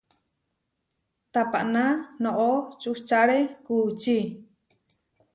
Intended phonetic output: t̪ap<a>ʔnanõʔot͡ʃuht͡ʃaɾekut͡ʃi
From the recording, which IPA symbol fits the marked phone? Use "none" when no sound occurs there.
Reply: a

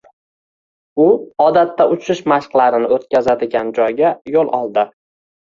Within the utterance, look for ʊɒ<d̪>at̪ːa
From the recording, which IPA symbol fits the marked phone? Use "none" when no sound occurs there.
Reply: d̪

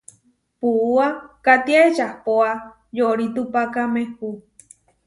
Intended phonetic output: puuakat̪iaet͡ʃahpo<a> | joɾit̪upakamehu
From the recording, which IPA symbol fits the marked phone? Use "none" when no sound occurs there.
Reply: a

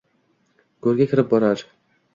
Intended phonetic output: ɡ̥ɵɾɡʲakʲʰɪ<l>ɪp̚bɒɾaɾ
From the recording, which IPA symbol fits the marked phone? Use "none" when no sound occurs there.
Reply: ɾ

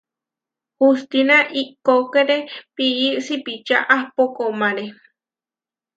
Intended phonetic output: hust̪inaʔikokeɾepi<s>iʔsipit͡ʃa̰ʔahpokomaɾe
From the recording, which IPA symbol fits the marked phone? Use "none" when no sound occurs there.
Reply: none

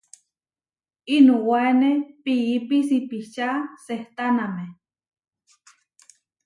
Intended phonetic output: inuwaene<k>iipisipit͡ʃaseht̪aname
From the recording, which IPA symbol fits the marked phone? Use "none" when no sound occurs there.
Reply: p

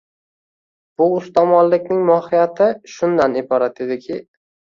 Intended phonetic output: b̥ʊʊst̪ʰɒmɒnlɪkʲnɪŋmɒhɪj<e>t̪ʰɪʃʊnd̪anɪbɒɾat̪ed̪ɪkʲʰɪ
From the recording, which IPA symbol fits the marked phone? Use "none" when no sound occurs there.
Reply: a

